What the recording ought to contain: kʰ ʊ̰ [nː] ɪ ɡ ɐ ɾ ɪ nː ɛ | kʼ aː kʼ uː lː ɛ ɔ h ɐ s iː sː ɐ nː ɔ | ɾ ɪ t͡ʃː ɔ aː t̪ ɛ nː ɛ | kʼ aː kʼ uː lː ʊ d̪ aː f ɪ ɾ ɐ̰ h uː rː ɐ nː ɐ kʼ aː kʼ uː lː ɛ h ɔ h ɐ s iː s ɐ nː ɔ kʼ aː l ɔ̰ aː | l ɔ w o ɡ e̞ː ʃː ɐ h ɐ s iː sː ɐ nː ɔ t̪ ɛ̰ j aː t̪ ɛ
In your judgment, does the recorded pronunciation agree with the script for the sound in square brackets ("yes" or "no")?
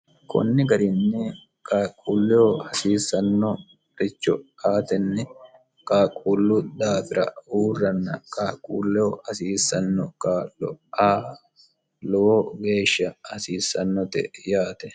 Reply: yes